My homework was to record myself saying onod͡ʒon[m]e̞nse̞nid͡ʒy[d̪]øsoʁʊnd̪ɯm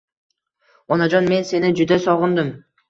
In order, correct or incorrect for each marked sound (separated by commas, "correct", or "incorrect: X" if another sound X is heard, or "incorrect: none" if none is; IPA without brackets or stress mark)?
correct, correct